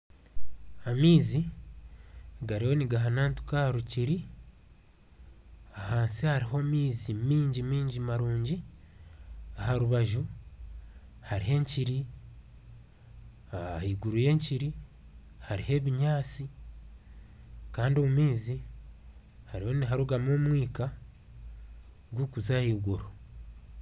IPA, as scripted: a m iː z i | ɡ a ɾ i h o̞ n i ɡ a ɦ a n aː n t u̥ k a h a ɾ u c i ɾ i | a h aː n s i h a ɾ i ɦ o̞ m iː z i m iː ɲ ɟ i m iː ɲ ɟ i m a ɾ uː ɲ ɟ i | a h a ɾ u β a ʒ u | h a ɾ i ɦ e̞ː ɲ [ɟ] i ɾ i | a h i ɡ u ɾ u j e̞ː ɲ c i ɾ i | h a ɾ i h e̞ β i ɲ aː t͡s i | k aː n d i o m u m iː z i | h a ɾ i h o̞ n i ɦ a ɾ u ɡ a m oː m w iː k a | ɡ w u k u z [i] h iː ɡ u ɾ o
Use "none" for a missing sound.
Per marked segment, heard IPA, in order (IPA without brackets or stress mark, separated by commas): c, a